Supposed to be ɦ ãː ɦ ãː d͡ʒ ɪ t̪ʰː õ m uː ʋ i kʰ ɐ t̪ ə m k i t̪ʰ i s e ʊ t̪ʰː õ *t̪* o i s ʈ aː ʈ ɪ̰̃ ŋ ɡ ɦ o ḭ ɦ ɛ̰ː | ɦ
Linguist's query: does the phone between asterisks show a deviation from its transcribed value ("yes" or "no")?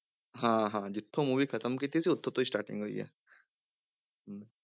no